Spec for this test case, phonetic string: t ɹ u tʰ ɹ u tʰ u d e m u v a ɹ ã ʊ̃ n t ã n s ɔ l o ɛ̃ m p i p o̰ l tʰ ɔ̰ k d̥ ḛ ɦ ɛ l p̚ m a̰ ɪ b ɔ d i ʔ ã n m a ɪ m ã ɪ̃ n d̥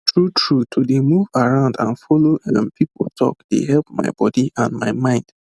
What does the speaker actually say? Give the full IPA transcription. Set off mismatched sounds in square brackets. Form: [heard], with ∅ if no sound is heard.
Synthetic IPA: t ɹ u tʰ ɹ u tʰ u d e m u v a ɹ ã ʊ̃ n [d] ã n [f] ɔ l o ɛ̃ m p i p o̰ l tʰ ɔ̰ k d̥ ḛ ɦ ɛ l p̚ m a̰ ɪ b ɔ d i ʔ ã n m a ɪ m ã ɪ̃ n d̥